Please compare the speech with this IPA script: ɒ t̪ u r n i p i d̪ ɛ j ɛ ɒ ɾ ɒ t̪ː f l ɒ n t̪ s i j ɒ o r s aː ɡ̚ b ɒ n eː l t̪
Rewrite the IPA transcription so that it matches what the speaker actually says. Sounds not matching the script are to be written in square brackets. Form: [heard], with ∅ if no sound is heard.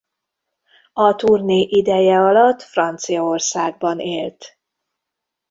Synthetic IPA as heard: ɒ t̪ u r n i [ʔ] i d̪ ɛ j ɛ ɒ [l] ɒ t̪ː f [r] ɒ n t̪ s i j ɒ o r s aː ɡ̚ b ɒ n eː l t̪